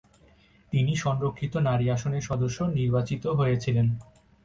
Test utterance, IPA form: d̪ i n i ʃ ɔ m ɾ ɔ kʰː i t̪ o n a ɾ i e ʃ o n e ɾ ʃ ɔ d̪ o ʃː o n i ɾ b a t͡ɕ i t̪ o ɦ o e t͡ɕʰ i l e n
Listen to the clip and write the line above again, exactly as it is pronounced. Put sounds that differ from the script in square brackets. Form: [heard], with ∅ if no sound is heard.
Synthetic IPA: [t̪] i n i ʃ ɔ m ɾ [o] kʰː i t̪ o n a ɾ i [a] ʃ o n e ɾ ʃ ɔ d̪ o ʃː o n i ɾ b a t͡ɕ i t̪ o ɦ o e t͡ɕʰ i l e n

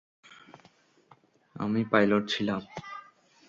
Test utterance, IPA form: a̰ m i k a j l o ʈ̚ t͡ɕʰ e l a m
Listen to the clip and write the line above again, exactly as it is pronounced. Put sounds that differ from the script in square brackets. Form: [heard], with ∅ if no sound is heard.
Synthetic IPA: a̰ m i [p] a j l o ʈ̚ t͡ɕʰ [i] l a m

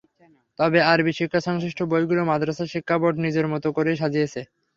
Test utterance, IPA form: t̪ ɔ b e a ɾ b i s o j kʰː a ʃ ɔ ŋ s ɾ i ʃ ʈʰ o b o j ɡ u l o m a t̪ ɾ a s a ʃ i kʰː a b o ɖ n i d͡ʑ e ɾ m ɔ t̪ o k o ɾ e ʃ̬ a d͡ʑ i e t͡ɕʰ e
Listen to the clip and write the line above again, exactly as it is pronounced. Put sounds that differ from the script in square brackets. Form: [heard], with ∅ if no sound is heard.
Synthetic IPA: t̪ ɔ b e a ɾ b i [ʃ] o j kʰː a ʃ ɔ ŋ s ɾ i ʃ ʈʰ o b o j ɡ u l o m a [d̪] ɾ a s a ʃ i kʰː a b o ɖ n i d͡ʑ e ɾ m ɔ t̪ o k o ɾ e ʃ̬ a d͡ʑ i e t͡ɕʰ e

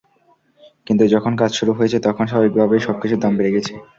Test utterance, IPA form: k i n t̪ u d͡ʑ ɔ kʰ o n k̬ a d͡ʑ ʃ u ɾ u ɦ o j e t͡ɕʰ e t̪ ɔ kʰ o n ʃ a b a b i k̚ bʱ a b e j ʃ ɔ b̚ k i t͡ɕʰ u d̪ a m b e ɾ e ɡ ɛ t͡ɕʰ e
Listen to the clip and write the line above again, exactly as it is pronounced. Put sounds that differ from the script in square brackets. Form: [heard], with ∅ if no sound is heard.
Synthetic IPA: k i n t̪ u d͡ʑ ɔ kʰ o n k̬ a d͡ʑ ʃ u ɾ u ɦ o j e t͡ɕʰ e t̪ ɔ kʰ o n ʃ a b a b i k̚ bʱ a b e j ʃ ɔ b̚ k i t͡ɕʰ u d̪ a m b e ɾ e ɡ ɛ t͡ɕʰ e

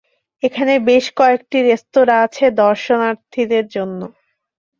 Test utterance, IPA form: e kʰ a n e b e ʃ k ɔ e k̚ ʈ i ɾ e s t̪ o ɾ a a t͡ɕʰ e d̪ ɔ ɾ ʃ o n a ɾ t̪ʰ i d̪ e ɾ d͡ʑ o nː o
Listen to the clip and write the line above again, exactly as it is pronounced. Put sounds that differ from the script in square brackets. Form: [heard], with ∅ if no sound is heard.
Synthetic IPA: e kʰ a n e b e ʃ k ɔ e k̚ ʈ i ɾ e s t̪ o ɾ a a t͡ɕʰ e d̪ ɔ ɾ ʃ o n a ɾ t̪ʰ i d̪ e ɾ d͡ʑ o nː o

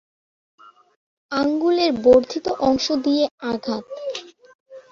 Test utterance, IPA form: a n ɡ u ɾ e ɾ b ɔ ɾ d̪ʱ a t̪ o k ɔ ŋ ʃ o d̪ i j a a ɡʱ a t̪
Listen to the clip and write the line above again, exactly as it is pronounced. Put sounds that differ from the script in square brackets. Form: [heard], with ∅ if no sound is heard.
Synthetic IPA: a [ŋ] ɡ u [l] e ɾ b [o] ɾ d̪ʱ [i] t̪ o [ʔ] ɔ ŋ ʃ o d̪ i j [e] a ɡʱ a t̪

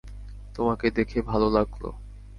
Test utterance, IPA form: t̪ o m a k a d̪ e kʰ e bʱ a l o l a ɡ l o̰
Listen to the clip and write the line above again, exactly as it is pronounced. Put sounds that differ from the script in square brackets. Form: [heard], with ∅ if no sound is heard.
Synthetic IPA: t̪ o m a k [e] d̪ e kʰ e bʱ a l o l a ɡ l o̰

